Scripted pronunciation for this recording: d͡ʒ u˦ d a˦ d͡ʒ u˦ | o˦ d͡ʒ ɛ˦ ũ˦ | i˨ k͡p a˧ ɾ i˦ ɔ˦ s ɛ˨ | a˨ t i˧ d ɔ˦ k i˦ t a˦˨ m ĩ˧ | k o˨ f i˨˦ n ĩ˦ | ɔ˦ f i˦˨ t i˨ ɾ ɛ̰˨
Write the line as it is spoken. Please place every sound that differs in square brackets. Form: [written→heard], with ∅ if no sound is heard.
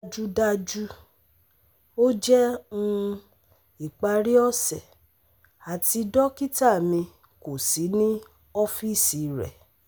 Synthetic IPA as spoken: d͡ʒ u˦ d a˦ d͡ʒ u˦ | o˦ d͡ʒ ɛ˦ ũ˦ | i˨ k͡p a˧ ɾ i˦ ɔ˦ s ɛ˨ | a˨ t i˧ d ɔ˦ k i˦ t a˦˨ m ĩ˧ | k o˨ [f→s] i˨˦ n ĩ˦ | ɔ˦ f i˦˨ [t→s] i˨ ɾ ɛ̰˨

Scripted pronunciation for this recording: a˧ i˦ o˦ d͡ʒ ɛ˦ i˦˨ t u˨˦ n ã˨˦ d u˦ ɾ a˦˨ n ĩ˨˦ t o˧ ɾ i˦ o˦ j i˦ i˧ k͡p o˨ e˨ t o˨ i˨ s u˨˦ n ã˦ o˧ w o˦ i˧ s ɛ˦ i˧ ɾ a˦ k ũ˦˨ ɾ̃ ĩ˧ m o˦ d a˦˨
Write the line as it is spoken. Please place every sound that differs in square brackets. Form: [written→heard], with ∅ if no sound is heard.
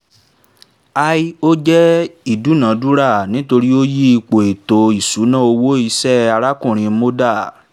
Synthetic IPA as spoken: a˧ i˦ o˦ d͡ʒ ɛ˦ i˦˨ [t→d] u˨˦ n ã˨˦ d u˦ ɾ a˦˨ n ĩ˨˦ t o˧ ɾ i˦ o˦ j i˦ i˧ k͡p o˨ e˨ t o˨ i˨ s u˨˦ n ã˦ o˧ w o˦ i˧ s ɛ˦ [i˧→a˧] ɾ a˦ k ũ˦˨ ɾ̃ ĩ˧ m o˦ d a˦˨

